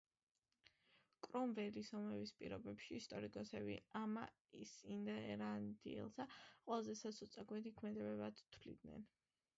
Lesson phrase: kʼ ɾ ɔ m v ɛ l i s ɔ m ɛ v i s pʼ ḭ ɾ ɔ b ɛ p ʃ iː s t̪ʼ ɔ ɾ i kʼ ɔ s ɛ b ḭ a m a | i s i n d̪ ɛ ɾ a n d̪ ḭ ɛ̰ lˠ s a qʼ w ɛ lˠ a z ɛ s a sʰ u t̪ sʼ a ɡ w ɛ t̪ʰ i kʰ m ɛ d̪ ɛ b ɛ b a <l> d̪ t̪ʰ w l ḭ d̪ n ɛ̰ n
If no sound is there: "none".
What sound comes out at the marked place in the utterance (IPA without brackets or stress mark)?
none